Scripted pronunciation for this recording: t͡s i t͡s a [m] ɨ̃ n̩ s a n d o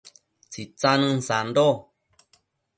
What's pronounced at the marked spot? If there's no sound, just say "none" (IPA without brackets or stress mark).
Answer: n